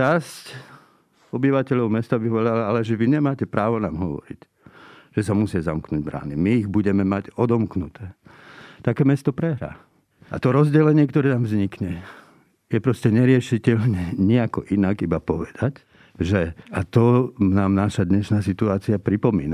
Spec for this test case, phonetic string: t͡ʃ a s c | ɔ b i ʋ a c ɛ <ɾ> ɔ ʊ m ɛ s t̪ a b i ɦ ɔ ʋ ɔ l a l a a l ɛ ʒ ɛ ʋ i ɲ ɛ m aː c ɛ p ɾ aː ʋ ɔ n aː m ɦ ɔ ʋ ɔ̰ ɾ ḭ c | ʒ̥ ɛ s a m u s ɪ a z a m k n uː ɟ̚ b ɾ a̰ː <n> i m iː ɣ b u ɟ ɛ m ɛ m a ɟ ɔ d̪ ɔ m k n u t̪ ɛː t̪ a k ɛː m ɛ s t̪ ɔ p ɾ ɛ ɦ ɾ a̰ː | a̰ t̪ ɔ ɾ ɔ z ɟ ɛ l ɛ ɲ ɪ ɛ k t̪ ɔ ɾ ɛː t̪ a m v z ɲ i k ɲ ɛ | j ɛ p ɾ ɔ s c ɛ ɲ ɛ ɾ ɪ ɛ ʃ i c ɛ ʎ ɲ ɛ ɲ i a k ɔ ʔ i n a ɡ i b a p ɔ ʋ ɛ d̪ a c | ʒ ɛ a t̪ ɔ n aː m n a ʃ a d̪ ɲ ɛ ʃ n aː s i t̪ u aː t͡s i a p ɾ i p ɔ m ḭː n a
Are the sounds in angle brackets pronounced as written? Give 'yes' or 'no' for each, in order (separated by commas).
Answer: no, yes